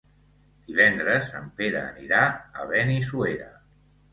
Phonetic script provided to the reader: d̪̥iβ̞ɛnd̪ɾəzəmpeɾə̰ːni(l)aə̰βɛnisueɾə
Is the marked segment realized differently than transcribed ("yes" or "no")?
yes